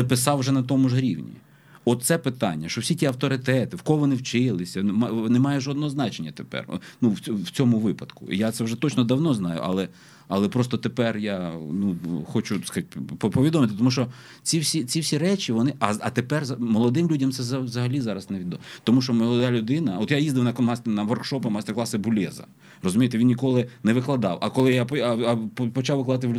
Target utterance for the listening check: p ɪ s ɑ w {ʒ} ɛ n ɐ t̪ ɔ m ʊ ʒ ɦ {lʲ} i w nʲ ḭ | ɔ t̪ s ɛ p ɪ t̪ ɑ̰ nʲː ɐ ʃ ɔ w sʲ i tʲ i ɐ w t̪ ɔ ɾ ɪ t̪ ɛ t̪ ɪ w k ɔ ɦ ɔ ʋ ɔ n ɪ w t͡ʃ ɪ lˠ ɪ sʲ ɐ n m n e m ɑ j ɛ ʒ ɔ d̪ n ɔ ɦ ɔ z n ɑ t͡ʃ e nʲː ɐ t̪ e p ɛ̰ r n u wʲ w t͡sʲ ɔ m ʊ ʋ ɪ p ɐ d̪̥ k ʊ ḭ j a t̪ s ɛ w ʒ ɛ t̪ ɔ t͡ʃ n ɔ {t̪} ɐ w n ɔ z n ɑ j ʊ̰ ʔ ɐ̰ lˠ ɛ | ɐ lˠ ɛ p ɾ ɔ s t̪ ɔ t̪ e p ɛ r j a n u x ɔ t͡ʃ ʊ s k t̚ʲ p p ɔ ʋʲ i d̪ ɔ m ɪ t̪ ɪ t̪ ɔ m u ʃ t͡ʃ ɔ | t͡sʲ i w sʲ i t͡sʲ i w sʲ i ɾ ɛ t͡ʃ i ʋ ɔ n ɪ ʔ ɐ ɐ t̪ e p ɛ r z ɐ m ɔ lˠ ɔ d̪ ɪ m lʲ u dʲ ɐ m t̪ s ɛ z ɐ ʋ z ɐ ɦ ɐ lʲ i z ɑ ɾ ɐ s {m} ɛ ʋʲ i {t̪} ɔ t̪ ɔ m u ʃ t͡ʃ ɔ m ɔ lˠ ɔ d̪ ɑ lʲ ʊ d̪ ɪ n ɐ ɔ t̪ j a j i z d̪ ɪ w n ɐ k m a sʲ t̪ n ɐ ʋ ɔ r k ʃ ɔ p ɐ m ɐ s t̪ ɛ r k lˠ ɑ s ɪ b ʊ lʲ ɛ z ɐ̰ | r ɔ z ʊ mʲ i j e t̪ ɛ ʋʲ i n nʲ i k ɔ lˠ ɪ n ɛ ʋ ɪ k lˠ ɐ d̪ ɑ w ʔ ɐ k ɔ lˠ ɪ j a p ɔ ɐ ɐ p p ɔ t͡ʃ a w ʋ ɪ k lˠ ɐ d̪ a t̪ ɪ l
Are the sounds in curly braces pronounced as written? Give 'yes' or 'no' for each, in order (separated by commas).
yes, no, no, no, no